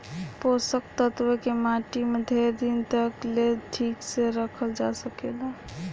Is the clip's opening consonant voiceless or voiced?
voiceless